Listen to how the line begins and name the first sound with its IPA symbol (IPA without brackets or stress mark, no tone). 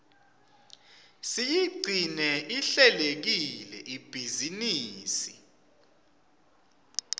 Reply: s